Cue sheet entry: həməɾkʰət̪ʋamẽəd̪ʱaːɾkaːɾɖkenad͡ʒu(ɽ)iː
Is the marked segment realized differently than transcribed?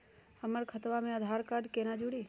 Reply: no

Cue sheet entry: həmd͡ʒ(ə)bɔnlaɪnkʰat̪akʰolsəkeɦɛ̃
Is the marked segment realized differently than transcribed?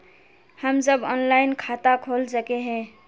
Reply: no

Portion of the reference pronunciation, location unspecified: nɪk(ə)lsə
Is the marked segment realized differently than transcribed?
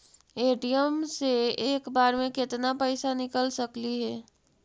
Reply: no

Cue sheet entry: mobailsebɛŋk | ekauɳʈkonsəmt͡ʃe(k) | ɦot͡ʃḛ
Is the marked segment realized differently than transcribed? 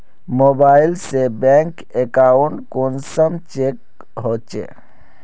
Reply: no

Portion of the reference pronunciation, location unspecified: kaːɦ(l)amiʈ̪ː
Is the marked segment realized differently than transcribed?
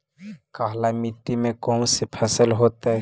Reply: no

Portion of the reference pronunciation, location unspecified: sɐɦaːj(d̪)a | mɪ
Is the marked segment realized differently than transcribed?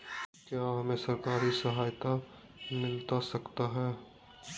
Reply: yes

